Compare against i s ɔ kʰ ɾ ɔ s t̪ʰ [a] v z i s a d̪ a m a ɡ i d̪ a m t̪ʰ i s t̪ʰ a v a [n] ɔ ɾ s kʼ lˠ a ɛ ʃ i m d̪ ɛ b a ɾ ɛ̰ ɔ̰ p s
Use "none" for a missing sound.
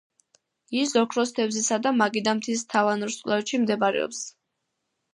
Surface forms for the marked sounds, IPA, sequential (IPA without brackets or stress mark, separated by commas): ɛ, n